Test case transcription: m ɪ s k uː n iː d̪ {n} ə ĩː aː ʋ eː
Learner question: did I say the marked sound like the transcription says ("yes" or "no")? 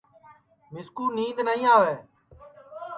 yes